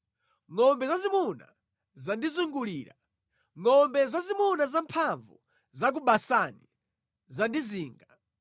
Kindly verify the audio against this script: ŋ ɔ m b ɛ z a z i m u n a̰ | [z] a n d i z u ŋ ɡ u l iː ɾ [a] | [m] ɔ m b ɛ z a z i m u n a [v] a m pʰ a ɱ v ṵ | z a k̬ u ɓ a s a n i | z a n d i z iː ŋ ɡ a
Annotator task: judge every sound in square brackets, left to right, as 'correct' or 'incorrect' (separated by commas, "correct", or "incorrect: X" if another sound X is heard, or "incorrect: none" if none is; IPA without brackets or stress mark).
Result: correct, correct, incorrect: ŋ, incorrect: z